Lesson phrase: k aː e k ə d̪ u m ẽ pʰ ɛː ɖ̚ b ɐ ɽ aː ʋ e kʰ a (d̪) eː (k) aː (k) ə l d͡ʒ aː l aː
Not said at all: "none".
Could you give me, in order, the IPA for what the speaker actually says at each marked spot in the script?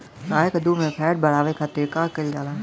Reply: t̪, k, k

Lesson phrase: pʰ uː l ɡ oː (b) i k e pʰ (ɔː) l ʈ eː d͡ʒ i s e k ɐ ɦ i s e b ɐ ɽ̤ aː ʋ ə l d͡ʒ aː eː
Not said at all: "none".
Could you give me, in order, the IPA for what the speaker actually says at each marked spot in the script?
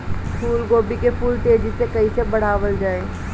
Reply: b, uː

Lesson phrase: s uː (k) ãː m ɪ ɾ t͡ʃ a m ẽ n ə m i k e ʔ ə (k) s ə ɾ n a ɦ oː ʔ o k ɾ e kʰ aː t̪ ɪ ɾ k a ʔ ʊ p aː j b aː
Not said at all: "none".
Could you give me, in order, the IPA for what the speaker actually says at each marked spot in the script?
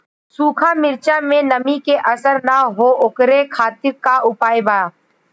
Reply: kʰ, none

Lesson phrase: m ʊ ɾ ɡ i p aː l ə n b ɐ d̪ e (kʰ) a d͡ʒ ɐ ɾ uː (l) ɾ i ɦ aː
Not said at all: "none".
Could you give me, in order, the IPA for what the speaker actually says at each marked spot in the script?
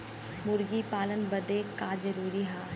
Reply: k, none

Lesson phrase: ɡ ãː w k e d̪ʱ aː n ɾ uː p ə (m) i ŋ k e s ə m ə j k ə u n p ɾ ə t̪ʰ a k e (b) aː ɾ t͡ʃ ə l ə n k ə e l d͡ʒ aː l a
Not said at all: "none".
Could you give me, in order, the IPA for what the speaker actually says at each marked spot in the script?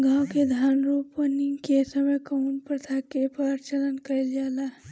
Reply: n, p

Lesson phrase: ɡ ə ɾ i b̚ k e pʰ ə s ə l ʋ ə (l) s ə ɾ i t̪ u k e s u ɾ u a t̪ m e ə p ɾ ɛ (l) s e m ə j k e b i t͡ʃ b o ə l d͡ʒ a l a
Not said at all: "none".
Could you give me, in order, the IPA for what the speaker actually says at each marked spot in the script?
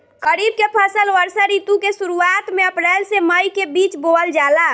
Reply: ɾ, l

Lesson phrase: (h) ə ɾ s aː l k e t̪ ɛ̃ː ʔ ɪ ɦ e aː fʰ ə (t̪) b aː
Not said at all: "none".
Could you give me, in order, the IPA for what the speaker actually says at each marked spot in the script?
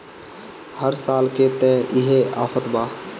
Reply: h, t̪

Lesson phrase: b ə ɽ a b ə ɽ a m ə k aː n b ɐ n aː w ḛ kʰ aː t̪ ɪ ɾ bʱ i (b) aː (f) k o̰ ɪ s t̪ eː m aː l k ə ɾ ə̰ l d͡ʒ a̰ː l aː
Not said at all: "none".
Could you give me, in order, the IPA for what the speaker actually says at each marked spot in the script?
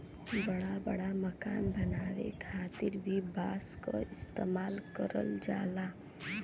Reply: b, s

